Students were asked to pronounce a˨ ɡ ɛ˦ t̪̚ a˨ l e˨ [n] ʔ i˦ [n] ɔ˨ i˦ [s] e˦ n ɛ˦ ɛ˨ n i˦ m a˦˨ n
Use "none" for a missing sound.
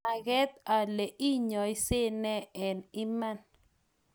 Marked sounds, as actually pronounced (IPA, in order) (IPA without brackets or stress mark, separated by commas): none, ɲ, s